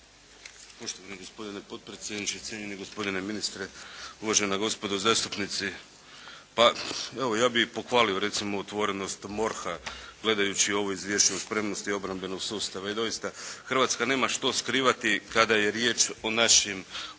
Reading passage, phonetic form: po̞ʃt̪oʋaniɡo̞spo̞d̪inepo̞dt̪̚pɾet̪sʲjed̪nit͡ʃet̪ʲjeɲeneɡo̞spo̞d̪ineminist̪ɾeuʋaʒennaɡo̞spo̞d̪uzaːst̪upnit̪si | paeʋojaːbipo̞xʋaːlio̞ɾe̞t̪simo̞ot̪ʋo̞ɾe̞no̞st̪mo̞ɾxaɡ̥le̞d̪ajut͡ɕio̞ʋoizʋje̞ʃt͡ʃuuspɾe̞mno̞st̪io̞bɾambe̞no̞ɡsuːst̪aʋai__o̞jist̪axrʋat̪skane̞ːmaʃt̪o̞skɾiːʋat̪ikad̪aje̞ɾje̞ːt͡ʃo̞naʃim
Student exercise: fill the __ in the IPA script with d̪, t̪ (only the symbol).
d̪